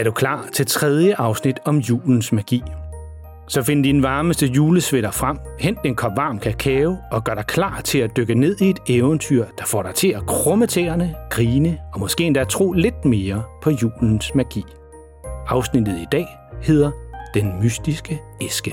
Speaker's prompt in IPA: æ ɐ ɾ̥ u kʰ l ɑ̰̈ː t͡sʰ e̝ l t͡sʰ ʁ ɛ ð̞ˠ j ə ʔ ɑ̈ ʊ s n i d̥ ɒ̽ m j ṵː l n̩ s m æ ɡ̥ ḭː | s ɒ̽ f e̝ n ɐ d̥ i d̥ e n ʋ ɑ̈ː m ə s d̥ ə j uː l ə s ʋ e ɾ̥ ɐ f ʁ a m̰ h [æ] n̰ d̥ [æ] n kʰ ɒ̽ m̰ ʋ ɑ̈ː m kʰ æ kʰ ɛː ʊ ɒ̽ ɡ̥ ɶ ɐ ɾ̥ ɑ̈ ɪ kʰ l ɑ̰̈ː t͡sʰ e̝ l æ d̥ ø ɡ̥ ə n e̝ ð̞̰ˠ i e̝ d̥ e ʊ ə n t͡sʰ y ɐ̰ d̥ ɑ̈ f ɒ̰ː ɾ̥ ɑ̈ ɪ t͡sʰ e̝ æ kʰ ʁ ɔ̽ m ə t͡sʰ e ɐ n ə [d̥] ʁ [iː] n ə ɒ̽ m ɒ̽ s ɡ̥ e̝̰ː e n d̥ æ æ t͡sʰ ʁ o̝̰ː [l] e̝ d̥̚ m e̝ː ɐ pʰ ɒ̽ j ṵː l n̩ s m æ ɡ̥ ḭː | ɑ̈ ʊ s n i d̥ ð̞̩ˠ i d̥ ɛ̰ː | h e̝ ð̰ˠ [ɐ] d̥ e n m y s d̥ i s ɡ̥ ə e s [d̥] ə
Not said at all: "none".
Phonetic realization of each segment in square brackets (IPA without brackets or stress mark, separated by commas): e, e, ɡ̥, iː, l, ɐ, ɡ̥